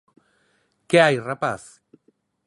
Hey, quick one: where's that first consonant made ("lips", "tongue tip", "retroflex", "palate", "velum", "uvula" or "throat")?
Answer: velum